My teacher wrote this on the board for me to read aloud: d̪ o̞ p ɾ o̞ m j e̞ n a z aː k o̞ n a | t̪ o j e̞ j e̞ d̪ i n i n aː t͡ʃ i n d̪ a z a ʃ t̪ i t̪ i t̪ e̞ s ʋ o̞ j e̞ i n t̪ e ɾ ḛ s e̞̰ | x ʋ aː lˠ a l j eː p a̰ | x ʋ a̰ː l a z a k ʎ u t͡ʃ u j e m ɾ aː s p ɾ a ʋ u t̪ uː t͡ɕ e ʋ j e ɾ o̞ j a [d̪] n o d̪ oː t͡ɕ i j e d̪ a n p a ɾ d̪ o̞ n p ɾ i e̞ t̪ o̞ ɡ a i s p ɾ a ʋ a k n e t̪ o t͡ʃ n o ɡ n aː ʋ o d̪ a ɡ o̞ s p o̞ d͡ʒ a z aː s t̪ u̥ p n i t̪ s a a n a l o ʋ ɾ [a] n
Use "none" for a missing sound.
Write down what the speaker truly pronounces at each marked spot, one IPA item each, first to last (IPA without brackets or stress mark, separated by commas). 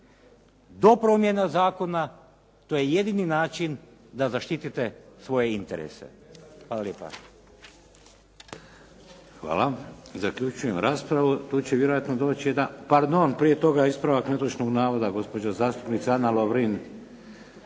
t̪, i